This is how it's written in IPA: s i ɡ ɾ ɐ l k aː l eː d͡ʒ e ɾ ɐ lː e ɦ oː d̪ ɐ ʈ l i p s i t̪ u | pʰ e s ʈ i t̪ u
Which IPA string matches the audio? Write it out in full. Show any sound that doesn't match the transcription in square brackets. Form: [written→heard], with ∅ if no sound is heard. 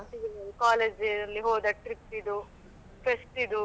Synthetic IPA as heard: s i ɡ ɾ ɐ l k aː l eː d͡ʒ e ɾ ɐ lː [e→i] ɦ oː d̪ ɐ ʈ [l→ɾ] i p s i [t̪→d̪] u | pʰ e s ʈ i [t̪→d̪] u